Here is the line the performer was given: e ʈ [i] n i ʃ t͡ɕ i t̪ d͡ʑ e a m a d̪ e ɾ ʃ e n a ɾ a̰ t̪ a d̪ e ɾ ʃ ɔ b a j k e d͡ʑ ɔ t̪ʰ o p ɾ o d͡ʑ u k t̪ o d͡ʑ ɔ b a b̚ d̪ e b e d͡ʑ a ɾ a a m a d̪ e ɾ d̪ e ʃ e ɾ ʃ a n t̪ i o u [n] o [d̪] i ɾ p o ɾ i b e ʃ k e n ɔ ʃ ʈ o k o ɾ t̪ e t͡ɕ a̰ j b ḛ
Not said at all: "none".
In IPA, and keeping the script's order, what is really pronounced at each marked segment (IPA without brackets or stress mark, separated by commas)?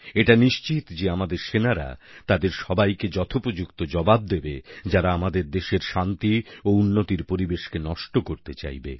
a, nː, t̪